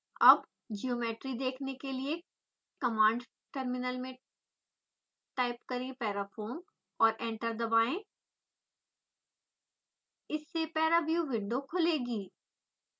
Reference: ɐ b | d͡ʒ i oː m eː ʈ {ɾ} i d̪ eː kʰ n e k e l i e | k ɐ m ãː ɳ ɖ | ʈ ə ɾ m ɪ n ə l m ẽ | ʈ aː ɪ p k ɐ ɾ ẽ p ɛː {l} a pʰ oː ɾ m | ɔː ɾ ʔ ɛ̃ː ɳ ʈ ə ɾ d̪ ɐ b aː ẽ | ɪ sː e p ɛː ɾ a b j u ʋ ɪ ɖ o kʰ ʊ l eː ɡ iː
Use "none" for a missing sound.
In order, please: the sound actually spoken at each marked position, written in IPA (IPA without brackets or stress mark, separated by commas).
ɾ, ɾ